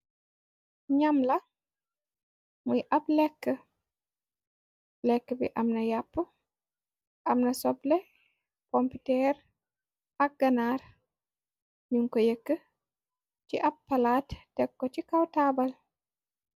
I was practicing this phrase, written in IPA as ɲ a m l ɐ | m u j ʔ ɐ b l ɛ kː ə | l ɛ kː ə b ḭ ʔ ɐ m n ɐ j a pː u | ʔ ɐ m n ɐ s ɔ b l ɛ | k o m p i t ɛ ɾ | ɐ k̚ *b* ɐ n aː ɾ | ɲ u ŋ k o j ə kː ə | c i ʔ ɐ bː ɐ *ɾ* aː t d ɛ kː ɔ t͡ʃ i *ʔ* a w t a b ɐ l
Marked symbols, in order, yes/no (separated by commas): no, no, no